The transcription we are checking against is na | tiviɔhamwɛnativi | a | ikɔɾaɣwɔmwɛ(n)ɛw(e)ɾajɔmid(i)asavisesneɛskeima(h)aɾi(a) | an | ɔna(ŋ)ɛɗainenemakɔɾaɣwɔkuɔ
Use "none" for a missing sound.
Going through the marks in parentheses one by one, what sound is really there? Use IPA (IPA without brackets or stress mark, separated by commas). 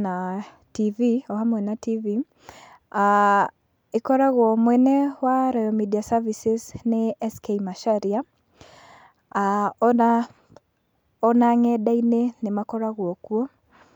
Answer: n, a, i, ʃ, a, ŋ